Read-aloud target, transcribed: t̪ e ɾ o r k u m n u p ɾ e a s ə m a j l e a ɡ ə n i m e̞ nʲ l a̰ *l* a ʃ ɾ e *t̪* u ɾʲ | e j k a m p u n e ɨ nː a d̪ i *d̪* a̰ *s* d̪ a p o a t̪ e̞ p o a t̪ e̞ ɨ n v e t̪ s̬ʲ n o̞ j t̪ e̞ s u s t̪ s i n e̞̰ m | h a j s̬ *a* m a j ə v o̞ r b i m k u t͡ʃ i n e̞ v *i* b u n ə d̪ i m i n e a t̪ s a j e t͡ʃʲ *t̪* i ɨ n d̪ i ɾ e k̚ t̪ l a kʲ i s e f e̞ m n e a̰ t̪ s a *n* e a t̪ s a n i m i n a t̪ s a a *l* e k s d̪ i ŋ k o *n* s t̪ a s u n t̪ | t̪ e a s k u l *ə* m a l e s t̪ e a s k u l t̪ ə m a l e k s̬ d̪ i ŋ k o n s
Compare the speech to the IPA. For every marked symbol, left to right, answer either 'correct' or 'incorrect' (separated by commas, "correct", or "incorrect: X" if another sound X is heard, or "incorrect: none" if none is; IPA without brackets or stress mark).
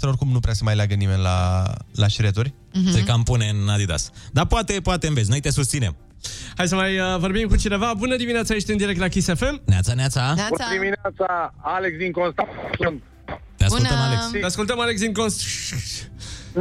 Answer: correct, correct, correct, correct, incorrect: ə, incorrect: a, correct, correct, correct, correct, correct